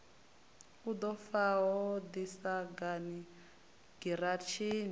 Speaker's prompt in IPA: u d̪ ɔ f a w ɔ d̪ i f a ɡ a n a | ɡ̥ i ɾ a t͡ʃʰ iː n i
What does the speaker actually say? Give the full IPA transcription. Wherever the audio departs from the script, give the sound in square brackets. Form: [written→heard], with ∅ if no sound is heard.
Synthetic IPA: u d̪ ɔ f a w ɔ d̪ i [f→s] a ɡ a n [a→i] | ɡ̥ i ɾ a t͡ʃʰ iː n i